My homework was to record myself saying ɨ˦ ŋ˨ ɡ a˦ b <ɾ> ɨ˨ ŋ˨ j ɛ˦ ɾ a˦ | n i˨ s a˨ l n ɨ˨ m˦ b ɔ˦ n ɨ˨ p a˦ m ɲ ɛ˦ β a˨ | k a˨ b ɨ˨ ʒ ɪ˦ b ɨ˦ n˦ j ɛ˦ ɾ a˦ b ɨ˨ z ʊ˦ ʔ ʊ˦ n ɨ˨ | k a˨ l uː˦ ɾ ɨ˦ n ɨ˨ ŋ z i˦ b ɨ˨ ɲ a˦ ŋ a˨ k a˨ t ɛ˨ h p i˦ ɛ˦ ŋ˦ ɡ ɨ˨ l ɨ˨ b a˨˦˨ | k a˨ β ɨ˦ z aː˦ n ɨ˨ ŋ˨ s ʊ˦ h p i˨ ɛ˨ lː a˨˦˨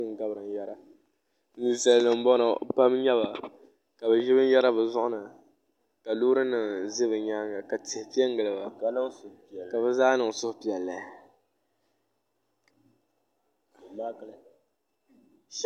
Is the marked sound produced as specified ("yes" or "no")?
yes